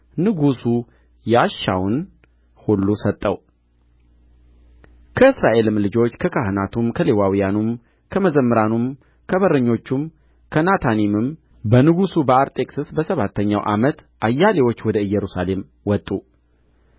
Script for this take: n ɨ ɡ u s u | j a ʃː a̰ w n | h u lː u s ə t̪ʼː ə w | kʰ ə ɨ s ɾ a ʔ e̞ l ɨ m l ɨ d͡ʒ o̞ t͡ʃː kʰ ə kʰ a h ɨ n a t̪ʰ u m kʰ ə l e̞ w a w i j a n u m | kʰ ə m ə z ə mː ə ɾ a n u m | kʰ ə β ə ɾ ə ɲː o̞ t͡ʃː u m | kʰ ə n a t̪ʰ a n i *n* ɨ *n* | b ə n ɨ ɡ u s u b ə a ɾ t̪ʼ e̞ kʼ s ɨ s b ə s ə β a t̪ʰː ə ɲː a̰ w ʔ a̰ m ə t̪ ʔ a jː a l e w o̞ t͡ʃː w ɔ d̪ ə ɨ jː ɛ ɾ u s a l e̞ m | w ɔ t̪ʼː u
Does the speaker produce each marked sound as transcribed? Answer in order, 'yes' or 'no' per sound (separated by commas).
no, no